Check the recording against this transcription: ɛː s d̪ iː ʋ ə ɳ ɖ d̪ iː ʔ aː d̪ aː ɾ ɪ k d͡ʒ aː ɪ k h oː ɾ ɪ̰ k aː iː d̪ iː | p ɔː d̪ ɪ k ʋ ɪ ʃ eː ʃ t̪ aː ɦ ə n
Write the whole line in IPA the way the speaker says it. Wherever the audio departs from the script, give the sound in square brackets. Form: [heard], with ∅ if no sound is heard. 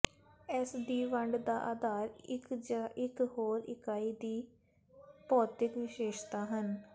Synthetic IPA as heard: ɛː s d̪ iː ʋ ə ɳ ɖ d̪ [aː] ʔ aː d̪ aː ɾ ɪ k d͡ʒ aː ɪ k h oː ɾ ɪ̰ k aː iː d̪ iː | p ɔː [t̪] ɪ k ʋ ɪ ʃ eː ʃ t̪ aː ɦ ə n

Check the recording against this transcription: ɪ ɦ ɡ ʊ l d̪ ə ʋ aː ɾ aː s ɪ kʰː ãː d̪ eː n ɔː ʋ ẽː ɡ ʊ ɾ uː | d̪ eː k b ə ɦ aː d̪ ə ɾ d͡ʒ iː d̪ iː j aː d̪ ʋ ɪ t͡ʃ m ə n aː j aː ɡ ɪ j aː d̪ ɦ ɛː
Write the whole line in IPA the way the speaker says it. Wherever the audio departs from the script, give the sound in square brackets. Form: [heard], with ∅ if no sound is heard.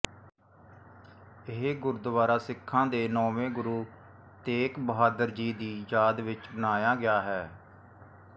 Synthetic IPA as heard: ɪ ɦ ɡ ʊ [ɾ] d̪ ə ʋ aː ɾ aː s ɪ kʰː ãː d̪ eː n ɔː ʋ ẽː ɡ ʊ ɾ uː | [t̪] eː k b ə ɦ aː d̪ ə ɾ d͡ʒ iː d̪ iː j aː d̪ ʋ ɪ t͡ʃ [b] ə n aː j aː ɡ ɪ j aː [∅] ɦ ɛː

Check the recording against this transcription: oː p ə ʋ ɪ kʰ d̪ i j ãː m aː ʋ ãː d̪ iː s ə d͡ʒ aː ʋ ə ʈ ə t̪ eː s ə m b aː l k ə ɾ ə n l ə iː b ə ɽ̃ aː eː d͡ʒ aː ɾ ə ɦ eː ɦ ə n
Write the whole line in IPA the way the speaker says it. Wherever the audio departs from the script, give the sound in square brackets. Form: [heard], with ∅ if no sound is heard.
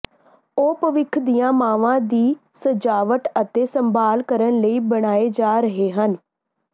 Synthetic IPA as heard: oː p ə ʋ ɪ kʰ d̪ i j ãː m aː ʋ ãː d̪ iː s ə d͡ʒ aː ʋ ə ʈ ə t̪ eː s ə m b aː l k ə ɾ ə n l ə iː b ə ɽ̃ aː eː d͡ʒ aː ɾ ə ɦ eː ɦ ə n

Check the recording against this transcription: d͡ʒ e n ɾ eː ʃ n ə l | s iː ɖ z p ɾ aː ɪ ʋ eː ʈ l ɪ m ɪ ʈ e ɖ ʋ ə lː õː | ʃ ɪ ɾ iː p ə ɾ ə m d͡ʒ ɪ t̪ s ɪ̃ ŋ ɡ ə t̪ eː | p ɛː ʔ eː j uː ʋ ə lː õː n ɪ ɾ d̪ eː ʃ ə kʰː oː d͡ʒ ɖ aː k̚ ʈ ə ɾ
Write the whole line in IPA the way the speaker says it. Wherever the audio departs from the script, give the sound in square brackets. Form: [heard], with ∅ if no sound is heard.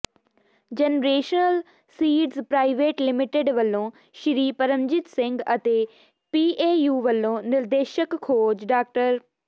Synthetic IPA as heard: d͡ʒ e n ɾ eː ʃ n ə l | s iː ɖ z p ɾ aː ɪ ʋ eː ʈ l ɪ m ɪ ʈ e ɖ ʋ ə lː õː | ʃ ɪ ɾ iː p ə ɾ ə m d͡ʒ ɪ t̪ s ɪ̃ ŋ ɡ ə t̪ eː | p [iː] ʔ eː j uː ʋ ə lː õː n ɪ ɾ d̪ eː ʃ ə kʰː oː d͡ʒ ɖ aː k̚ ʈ ə ɾ

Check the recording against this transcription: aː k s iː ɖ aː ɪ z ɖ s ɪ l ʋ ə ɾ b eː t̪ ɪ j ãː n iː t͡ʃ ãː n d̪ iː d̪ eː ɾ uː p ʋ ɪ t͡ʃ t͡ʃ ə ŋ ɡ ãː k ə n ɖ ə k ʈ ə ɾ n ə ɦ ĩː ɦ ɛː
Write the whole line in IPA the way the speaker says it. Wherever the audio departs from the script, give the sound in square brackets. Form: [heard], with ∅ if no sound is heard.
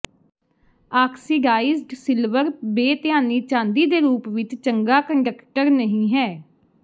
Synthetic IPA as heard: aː k s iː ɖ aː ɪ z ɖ s ɪ l ʋ ə ɾ b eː t̪ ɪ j [aː] n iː t͡ʃ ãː n d̪ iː d̪ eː ɾ uː p ʋ ɪ t͡ʃ t͡ʃ ə ŋ ɡ [aː] k ə [ɳ] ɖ ə k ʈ ə ɾ n ə ɦ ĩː ɦ ɛː

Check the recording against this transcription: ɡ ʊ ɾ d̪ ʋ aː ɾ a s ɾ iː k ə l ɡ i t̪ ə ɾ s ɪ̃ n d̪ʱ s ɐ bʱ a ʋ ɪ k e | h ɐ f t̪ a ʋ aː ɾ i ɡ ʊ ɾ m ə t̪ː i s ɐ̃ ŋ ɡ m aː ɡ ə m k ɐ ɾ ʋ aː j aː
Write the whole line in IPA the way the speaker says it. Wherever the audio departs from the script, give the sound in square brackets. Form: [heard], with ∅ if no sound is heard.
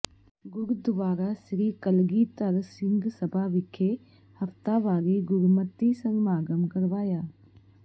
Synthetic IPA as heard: ɡ ʊ ɾ d̪ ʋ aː ɾ a s ɾ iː k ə l ɡ i t̪ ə ɾ s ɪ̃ n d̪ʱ s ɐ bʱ a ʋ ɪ [kʰ] e | h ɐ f t̪ a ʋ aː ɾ i ɡ ʊ ɾ m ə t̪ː i s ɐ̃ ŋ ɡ m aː ɡ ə m k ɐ ɾ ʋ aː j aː

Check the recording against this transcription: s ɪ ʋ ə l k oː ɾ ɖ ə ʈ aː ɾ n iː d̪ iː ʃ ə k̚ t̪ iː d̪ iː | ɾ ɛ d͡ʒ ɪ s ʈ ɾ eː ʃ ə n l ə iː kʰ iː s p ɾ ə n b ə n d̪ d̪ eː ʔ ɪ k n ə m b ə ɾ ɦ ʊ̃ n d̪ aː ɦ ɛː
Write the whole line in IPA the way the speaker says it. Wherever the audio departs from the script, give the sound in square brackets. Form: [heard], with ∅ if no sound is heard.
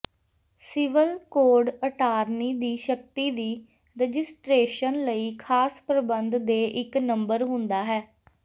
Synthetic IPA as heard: s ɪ ʋ ə l k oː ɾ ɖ ə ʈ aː ɾ n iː d̪ iː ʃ ə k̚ t̪ iː d̪ iː | ɾ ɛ d͡ʒ ɪ s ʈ ɾ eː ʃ ə n l ə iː kʰ [aː] s p ɾ ə [∅] b ə n d̪ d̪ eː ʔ ɪ k n ə m b ə ɾ ɦ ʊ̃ n d̪ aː ɦ ɛː

